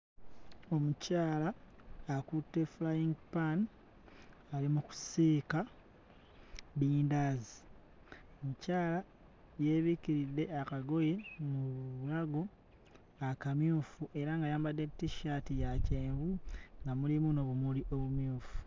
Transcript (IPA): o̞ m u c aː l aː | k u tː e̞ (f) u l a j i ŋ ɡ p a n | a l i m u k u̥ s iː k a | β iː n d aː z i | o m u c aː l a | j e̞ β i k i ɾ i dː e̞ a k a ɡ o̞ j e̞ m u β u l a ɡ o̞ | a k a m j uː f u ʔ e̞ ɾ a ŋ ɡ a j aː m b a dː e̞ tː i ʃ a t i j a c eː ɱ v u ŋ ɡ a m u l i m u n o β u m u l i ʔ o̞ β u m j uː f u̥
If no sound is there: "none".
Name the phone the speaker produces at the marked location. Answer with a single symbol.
f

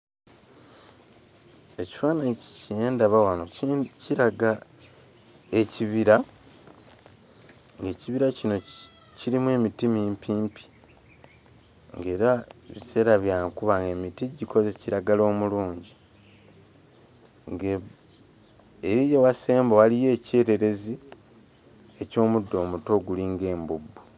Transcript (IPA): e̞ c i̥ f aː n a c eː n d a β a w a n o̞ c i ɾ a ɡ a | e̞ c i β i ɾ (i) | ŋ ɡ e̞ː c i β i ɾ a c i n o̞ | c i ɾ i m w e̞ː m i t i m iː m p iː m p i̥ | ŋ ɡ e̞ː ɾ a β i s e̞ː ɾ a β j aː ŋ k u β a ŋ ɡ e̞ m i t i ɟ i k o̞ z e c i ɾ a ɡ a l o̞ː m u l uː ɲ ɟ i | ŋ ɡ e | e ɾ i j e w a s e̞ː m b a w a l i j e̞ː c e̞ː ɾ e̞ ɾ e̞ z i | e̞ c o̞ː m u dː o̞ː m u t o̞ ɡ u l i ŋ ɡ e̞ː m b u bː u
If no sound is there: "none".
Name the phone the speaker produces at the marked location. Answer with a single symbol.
a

